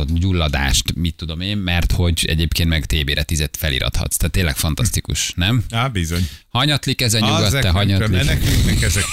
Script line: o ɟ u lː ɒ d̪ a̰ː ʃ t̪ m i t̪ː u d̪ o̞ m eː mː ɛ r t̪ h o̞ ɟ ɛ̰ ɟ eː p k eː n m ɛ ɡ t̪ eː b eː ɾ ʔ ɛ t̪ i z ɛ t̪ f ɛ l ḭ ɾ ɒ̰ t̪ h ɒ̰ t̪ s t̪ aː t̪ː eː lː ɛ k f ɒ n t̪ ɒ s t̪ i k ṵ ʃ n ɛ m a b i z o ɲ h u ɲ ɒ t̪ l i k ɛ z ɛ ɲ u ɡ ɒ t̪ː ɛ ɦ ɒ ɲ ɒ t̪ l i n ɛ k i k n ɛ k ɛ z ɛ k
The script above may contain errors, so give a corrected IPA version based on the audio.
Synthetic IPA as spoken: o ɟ u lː ɒ d̪ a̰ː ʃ t̪ m i t̪ː u d̪ o̞ m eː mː ɛ r t̪ h o̞ ɟ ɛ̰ ɟ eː p k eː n m ɛ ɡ t̪ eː b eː ɾ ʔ ɛ t̪ i z ɛ t̪ f ɛ l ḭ ɾ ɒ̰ t̪ h ɒ̰ t̪ s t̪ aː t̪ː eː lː ɛ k f ɒ n t̪ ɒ s t̪ i k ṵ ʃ n ɛ m a b i z o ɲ h ɒ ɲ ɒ t̪ l i k ɛ z ɛ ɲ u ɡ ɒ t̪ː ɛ ɦ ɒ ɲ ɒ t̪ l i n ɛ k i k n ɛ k ɛ z ɛ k